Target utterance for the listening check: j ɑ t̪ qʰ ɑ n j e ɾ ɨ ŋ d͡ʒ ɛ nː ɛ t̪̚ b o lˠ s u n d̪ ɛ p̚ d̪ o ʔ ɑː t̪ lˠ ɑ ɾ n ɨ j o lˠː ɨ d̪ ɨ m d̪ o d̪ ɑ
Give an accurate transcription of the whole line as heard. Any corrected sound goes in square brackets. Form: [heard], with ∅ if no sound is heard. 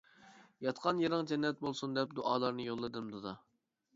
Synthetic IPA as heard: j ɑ t̪ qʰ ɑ n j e ɾ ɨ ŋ d͡ʒ ɛ nː ɛ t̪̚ b o lˠ s u n d̪ ɛ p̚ d̪ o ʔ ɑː [∅] lˠ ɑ ɾ n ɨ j o lˠː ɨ d̪ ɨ m d̪ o d̪ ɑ